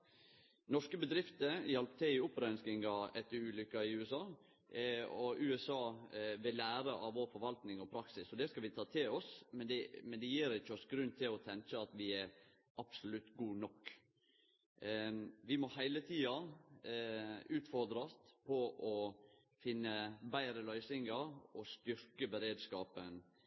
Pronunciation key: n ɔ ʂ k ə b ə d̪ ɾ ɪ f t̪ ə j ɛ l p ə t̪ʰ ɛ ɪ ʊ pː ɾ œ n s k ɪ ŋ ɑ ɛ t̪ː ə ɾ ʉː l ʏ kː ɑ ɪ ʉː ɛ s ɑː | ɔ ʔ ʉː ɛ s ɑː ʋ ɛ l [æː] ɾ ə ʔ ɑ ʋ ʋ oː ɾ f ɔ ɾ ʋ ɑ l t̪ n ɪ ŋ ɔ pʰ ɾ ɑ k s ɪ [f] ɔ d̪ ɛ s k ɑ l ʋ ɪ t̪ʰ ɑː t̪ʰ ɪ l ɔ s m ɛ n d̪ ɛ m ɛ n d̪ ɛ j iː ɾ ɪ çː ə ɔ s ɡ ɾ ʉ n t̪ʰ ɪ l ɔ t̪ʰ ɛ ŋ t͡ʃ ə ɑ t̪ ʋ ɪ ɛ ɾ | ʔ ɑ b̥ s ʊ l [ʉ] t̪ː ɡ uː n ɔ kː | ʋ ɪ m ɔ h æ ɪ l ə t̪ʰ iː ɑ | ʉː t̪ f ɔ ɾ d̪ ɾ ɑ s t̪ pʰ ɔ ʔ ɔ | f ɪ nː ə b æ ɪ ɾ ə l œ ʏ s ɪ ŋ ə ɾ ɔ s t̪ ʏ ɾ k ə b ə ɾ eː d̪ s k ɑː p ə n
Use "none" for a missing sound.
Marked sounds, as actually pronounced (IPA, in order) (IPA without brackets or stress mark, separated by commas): æː, s, ʉ